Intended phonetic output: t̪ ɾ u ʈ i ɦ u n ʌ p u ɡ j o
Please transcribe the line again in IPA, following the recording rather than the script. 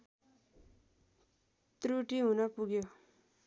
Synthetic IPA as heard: t̪ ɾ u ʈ i ɦ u n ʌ p u ɡ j o